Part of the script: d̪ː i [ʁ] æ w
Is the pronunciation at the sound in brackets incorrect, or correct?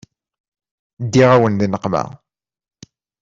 correct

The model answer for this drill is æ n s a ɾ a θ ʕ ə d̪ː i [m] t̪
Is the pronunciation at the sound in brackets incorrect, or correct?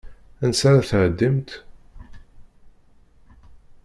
correct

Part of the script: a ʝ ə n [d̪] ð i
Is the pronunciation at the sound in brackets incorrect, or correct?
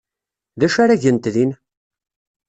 incorrect: t̪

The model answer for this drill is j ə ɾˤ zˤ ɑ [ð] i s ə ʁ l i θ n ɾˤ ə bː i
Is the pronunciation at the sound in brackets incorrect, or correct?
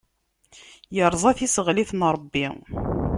incorrect: θ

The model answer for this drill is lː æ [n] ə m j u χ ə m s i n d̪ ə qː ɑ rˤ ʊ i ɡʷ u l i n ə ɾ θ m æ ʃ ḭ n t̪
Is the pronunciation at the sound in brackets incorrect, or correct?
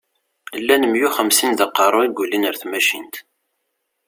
correct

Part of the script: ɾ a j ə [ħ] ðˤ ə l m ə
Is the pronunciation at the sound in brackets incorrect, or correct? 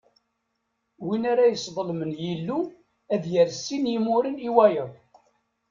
incorrect: s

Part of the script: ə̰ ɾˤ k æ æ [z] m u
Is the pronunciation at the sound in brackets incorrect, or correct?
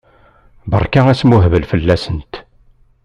incorrect: s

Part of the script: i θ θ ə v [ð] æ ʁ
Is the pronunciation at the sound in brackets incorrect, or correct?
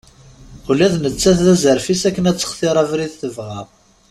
incorrect: ʁ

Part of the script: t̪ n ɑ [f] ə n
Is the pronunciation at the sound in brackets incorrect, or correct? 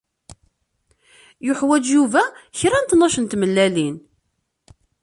incorrect: ʃ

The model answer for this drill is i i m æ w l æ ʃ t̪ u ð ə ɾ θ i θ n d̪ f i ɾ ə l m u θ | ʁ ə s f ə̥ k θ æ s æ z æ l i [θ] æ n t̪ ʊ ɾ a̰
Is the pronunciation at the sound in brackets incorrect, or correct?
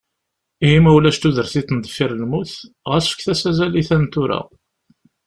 correct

